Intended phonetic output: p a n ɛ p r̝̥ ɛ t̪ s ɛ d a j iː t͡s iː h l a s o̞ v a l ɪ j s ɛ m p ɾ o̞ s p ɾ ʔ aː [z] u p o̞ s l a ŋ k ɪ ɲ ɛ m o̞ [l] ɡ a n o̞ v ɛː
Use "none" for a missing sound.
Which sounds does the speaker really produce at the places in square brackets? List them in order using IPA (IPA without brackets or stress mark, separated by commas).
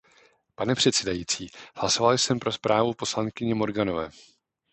v, ɾ